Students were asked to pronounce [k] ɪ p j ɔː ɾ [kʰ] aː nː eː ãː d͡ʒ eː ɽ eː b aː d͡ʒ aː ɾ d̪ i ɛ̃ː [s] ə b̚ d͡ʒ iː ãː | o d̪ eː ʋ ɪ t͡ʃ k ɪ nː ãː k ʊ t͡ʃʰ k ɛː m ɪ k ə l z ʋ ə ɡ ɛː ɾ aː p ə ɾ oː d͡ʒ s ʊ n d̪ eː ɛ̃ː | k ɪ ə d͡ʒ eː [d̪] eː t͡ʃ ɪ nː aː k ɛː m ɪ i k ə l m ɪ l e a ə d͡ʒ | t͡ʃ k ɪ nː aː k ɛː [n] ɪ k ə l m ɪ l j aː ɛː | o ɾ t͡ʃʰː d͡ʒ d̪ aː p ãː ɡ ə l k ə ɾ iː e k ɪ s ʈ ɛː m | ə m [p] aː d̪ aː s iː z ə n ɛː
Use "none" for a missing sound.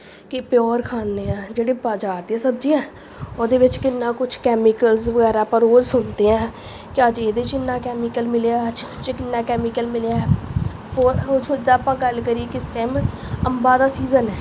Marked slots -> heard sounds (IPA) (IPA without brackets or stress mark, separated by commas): k, kʰ, s, d̪, m, b